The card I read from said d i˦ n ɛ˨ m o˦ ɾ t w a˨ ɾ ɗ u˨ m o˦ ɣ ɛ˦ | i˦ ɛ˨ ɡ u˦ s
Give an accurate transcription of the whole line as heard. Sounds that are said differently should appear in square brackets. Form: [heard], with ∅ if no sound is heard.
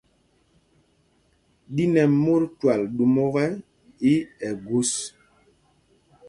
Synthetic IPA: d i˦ n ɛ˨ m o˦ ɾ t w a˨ [l] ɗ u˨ m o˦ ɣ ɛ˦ | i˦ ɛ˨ ɡ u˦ s